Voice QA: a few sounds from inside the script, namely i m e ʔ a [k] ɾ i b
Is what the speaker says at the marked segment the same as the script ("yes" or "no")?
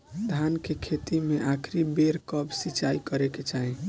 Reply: no